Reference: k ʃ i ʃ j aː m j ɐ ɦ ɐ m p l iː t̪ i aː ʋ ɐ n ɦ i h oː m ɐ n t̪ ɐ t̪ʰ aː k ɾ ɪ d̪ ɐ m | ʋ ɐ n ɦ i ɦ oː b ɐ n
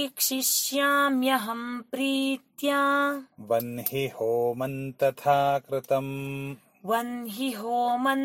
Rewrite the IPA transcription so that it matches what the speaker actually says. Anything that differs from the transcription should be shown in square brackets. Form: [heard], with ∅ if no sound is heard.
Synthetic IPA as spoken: k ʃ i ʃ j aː m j ɐ ɦ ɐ m p [ɾ] iː t̪ [j] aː ʋ ɐ n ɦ i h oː m ɐ n t̪ ɐ t̪ʰ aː k ɾ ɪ [t̪] ɐ m | ʋ ɐ n ɦ i ɦ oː [m] ɐ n